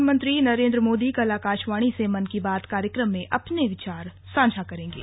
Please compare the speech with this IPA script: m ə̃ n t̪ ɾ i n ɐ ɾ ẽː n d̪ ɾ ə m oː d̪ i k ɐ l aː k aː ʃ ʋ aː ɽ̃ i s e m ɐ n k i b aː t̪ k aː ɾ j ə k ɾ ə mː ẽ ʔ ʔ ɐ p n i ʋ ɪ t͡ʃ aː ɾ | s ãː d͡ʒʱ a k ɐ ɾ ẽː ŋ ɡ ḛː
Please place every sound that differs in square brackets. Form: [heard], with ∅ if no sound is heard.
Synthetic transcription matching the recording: m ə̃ n t̪ ɾ i n ɐ ɾ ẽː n d̪ ɾ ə m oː d̪ i k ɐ l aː k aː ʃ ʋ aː ɽ̃ i s e m ɐ n k i b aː t̪ k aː ɾ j ə k ɾ ə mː ẽ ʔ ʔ ɐ p n [e] ʋ ɪ t͡ʃ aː ɾ | s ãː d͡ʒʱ a k ɐ ɾ ẽː ŋ ɡ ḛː